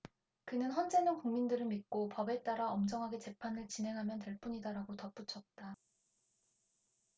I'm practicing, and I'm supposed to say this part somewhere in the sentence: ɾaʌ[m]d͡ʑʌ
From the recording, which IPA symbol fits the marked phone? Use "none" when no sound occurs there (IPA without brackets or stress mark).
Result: m